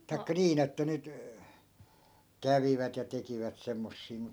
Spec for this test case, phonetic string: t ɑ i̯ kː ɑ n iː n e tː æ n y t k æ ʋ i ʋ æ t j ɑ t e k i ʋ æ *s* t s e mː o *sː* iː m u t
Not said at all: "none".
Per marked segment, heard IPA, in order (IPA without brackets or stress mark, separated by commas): none, sː